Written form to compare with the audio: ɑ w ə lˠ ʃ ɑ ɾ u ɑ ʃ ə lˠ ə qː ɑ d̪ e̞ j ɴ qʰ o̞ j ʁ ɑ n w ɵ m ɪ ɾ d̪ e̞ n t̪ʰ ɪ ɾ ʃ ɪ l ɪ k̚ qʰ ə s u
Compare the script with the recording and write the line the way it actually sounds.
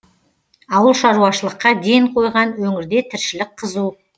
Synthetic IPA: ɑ w ə lˠ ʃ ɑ ɾ u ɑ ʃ ə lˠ ə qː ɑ d̪ e̞ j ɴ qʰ o̞ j ʁ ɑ n w ɵ ŋ ɪ ɾ d̪ e̞ t̪ʰ ɪ ɾ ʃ ɪ l ɪ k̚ qʰ ə z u